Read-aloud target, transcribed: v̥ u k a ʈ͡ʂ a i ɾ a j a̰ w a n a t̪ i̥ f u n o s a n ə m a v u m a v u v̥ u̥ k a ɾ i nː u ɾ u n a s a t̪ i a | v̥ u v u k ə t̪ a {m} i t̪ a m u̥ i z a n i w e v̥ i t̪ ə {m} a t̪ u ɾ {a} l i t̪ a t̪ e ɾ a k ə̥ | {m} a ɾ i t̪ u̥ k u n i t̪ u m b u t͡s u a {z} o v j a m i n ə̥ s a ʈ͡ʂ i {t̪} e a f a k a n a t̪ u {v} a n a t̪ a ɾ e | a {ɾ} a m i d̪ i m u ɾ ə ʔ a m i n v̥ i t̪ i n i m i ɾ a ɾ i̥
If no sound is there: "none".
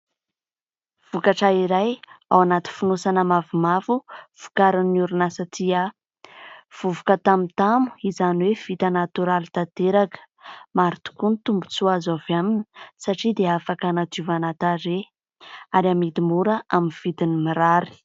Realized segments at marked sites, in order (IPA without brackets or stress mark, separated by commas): m, n, a, m, z, d̪, v, ɾ